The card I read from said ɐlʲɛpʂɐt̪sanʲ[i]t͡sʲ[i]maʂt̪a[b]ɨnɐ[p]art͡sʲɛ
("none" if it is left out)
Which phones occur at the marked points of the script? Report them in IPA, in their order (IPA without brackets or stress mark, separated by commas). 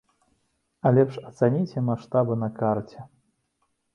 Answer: i, ɛ, b, k